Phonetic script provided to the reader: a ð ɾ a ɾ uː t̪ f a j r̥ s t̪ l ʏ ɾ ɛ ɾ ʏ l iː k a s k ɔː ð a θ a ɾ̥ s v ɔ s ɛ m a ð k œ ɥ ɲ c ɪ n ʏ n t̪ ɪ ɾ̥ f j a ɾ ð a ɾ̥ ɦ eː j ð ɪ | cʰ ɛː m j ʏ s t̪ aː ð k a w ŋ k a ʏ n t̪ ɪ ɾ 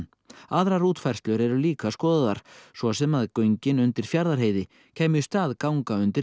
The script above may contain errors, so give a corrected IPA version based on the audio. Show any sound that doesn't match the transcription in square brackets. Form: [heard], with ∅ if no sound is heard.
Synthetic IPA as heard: a ð ɾ a ɾ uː t̪ f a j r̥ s t̪ l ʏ ɾ ɛ ɾ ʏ l iː k a s k ɔː ð a [ð] a ɾ̥ s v ɔ s ɛ m a ð k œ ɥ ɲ c ɪ n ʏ n t̪ ɪ ɾ̥ f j a ɾ ð a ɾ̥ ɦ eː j ð ɪ | cʰ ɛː m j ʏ s t̪ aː ð k a w ŋ k a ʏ n t̪ ɪ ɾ